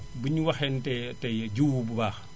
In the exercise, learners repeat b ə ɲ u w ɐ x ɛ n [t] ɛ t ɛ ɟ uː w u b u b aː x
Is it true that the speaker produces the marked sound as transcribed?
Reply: yes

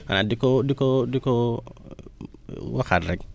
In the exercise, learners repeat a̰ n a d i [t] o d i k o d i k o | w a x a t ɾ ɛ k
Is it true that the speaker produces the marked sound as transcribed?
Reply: no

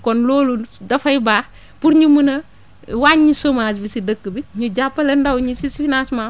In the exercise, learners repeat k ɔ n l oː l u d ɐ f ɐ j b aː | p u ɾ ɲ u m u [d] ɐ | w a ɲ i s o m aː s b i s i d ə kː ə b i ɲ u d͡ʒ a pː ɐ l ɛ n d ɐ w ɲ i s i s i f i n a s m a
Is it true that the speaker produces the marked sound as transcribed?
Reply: no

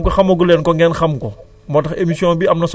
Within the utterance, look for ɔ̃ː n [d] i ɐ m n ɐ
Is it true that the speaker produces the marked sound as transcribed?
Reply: no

